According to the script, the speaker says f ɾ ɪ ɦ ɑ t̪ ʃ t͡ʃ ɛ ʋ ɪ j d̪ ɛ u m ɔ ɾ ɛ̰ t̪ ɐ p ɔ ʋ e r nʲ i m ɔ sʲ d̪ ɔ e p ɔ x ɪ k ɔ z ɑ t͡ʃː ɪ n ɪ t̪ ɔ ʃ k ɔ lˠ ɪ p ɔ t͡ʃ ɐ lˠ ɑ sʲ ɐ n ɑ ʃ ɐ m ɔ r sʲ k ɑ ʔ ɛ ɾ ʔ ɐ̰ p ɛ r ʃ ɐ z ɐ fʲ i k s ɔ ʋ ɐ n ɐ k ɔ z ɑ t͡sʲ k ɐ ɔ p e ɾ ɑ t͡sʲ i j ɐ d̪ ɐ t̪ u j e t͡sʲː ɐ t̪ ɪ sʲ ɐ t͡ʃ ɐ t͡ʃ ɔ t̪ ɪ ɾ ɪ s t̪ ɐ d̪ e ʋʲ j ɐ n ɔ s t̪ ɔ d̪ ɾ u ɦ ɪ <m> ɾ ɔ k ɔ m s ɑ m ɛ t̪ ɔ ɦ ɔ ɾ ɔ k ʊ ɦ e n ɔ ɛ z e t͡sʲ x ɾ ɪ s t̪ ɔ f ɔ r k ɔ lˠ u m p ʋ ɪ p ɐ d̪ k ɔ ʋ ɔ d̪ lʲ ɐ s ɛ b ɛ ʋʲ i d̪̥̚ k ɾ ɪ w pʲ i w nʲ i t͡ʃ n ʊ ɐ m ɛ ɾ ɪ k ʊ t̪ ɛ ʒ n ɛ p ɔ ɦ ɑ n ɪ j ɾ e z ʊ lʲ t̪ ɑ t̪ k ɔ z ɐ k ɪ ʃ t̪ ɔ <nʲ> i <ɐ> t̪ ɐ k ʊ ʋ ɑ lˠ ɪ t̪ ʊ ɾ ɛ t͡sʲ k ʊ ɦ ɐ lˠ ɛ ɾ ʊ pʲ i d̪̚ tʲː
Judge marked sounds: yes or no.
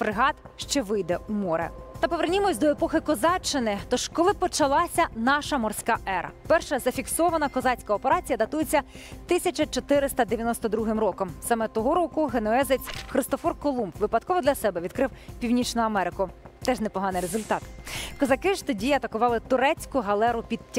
yes, no, yes

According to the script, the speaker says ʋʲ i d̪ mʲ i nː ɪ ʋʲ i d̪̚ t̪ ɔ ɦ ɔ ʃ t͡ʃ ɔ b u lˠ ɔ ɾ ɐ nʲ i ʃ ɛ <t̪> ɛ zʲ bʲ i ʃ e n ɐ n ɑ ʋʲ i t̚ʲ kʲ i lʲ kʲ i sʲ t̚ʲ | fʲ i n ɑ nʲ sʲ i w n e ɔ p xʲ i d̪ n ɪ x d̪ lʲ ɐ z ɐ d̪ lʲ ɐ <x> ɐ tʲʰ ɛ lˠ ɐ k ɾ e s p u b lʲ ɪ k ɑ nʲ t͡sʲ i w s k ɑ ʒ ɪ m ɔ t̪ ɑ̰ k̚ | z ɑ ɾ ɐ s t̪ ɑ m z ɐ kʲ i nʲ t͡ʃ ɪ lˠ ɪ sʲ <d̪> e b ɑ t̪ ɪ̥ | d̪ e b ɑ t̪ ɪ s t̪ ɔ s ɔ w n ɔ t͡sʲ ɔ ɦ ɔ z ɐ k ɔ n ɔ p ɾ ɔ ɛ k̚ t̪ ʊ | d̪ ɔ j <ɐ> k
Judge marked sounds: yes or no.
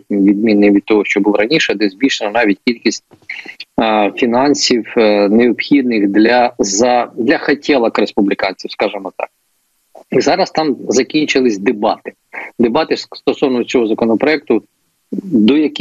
no, yes, yes, yes

